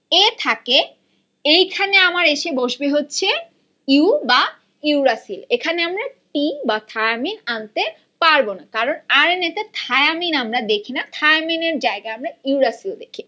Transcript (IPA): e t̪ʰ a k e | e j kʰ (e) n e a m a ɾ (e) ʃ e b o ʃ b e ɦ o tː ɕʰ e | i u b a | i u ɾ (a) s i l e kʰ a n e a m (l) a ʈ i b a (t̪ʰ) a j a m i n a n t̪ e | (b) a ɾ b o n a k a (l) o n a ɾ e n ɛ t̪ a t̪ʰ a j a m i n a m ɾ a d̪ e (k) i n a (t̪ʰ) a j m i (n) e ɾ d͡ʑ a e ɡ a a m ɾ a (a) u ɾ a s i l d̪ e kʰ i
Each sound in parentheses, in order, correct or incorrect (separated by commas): incorrect, correct, correct, incorrect, correct, incorrect, incorrect, incorrect, correct, correct, incorrect